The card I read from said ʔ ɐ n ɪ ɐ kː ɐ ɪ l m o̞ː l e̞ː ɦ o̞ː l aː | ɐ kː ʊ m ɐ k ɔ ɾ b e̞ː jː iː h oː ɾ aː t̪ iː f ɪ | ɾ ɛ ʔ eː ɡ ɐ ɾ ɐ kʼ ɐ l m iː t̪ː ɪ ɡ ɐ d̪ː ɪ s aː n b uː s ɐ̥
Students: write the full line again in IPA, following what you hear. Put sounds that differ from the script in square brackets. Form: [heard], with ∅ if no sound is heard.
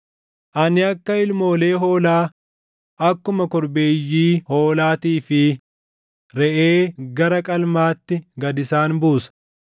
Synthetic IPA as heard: ʔ ɐ n ɪ ɐ kː ɐ ɪ l m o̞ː l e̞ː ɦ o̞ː l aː | ɐ kː ʊ m ɐ k ɔ ɾ b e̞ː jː iː h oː [l] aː t̪ iː f ɪ | ɾ ɛ ʔ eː ɡ ɐ ɾ ɐ kʼ ɐ l m [aː] t̪ː ɪ ɡ ɐ [d̪] ɪ s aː n b uː s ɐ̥